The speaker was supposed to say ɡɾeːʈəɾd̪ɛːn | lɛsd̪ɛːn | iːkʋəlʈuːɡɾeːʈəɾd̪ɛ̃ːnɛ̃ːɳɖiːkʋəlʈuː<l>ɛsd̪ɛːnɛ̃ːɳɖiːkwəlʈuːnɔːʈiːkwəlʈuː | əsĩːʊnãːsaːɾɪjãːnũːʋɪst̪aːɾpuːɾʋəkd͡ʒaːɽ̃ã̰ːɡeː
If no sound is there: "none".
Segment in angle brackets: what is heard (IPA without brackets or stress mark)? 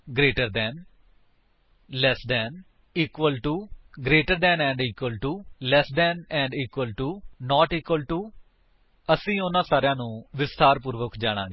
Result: l